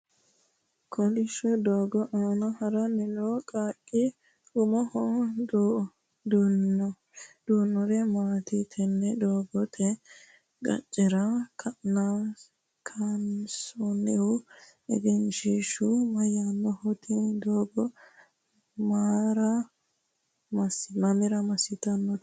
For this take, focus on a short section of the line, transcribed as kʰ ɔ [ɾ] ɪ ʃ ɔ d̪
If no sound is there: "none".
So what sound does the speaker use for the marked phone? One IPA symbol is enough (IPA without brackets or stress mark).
l